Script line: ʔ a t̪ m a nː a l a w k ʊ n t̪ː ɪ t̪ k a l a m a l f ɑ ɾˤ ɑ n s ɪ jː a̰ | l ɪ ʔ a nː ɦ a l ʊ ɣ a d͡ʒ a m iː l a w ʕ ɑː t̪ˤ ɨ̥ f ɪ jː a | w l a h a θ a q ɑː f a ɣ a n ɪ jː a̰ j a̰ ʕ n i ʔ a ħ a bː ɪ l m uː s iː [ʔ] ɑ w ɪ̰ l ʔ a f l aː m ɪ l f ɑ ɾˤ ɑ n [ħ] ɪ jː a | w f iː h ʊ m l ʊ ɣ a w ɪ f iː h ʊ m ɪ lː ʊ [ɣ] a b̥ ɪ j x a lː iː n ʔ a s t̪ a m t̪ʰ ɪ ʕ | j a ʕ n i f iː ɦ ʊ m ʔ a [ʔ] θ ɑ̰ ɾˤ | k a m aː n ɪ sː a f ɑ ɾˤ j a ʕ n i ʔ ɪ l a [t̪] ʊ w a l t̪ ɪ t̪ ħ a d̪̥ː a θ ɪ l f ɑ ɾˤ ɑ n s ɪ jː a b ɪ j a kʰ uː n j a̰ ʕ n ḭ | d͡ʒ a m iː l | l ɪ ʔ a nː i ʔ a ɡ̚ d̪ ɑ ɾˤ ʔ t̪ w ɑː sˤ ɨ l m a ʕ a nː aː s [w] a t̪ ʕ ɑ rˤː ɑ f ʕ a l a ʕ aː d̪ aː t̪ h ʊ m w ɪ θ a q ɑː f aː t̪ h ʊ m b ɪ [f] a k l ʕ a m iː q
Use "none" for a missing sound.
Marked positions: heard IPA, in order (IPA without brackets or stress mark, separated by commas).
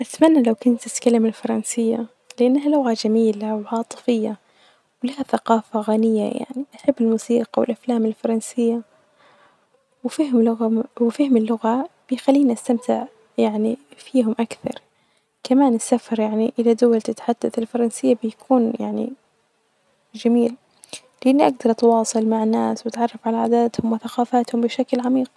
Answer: q, s, ɣ, k, d̪, w, ʃ